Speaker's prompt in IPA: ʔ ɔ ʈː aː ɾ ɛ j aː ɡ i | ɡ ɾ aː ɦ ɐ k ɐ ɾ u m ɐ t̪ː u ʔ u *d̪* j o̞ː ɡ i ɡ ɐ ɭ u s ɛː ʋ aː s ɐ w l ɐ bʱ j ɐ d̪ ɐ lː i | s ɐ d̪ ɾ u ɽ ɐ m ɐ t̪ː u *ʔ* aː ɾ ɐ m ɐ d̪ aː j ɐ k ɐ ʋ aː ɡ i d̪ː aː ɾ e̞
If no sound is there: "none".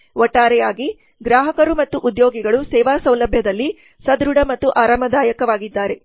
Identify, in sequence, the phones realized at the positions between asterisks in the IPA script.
d̪, ʔ

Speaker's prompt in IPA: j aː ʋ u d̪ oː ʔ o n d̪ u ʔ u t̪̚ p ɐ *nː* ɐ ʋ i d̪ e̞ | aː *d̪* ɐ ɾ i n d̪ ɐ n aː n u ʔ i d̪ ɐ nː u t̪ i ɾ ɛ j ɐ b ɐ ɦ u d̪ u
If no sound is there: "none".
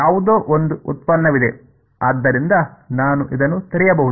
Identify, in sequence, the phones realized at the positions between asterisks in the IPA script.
nː, d̪ː

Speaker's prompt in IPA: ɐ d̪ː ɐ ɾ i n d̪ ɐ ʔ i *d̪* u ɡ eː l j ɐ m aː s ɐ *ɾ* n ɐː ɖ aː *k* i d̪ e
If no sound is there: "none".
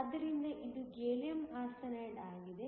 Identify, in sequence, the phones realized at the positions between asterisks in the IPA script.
d̪, none, ɡ

